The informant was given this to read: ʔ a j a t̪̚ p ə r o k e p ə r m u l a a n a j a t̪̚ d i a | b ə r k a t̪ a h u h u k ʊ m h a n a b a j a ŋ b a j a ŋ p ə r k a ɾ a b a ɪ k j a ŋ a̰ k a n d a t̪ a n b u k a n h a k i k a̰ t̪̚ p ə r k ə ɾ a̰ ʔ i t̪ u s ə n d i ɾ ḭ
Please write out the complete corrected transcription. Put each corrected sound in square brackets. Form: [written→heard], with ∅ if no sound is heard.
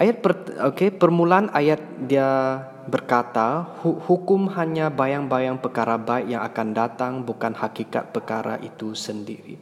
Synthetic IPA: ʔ a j a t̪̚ p ə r o k e p ə r m u l a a n a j a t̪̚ d i a | b ə r k a t̪ a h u h u k ʊ m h a [n→ɲ] a b a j a ŋ b a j a ŋ p ə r k a ɾ a b a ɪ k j a ŋ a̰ k a n d a t̪ a [n→ŋ] b u k a n h a k i k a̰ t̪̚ p ə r k [ə→a] ɾ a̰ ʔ i t̪ u s ə n d i ɾ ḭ